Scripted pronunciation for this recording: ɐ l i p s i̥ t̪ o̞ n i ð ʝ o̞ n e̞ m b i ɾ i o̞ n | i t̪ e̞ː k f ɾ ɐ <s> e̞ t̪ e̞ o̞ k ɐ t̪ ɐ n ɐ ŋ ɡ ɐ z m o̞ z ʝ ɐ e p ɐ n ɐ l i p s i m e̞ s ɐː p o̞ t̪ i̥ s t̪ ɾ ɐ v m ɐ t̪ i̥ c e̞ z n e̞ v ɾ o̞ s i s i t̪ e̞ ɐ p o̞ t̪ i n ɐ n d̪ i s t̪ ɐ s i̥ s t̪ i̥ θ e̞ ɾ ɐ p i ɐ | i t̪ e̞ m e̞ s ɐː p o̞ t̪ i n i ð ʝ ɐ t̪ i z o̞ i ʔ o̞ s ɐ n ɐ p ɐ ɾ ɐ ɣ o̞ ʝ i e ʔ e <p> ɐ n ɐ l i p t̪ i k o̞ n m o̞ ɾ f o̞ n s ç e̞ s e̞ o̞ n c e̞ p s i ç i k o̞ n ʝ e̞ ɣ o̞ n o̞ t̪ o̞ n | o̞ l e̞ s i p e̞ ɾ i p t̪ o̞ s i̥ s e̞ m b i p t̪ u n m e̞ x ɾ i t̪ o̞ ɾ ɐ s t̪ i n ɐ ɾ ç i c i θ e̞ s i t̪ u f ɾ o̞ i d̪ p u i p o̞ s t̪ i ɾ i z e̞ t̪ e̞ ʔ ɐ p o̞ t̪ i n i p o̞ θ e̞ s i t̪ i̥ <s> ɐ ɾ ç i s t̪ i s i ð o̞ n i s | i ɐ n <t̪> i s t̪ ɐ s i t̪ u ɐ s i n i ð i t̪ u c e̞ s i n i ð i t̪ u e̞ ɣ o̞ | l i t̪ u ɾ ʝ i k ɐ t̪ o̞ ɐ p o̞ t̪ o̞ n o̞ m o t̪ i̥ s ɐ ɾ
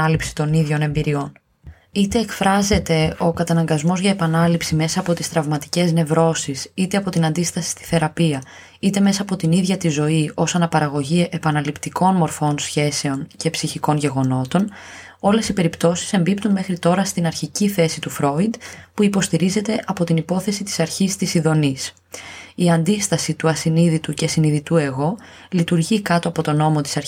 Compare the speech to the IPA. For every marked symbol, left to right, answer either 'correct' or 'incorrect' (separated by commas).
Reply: incorrect, correct, correct, incorrect